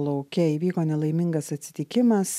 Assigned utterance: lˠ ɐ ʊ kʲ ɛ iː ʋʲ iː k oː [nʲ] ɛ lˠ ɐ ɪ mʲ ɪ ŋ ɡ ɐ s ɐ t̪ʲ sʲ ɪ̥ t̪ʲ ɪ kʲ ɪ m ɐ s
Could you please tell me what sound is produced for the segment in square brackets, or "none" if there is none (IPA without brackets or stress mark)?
nʲ